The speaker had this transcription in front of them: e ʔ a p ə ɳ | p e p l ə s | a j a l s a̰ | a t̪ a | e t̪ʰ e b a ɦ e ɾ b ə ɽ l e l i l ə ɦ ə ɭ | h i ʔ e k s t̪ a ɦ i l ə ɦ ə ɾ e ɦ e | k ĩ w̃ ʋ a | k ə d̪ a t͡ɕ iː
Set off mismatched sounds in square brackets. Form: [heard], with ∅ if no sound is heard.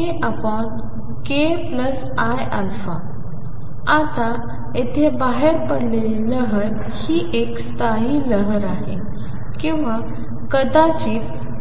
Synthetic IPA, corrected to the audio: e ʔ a p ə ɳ | [k] e p l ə s | a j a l [f] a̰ | a t̪ a | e t̪ʰ e b a ɦ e ɾ [p] ə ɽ l e l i l ə ɦ ə [ɾ] | h i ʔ e k s t̪ a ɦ i l ə ɦ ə ɾ [a] ɦ e | k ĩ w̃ ʋ a | k ə d̪ a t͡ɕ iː